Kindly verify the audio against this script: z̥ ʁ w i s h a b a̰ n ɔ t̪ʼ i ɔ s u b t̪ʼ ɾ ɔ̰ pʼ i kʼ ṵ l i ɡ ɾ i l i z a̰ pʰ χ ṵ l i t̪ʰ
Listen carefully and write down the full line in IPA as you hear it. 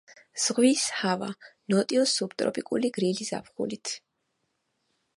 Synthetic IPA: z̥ ʁ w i s h a v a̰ n ɔ t̪ʼ i ɔ s u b t̪ʼ ɾ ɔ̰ pʼ i kʼ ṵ l i ɡ ɾ i l i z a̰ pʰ χ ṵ l i t̪ʰ